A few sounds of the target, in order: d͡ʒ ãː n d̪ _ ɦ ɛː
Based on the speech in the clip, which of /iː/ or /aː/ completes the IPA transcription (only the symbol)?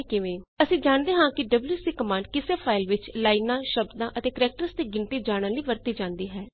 iː